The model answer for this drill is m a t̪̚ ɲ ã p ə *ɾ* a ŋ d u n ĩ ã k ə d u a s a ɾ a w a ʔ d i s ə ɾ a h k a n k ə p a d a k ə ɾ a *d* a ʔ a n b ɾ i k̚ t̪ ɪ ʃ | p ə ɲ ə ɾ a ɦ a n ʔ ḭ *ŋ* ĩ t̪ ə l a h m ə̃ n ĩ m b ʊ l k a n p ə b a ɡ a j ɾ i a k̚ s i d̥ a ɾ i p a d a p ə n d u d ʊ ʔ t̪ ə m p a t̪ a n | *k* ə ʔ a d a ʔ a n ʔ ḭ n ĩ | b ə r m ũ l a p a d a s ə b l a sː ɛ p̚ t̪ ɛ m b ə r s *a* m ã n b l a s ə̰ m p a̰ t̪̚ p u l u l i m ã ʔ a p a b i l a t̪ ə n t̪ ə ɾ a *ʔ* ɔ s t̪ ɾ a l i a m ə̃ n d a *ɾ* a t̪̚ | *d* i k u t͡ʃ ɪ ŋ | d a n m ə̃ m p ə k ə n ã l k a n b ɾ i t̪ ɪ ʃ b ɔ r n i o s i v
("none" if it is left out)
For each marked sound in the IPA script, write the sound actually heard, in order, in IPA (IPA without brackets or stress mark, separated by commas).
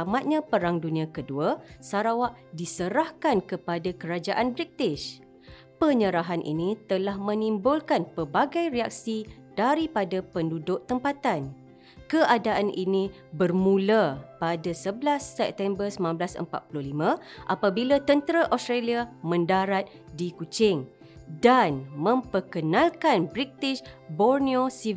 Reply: ɾ, d͡ʒ, n, k, ə, ʔ, ɾ, d